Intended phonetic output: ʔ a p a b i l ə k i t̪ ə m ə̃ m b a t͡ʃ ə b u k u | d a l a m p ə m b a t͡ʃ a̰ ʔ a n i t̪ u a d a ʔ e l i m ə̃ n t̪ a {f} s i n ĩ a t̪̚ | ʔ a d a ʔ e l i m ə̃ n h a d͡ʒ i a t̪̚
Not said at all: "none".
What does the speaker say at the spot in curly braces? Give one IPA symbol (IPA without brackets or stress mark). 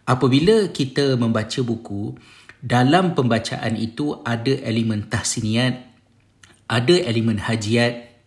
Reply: h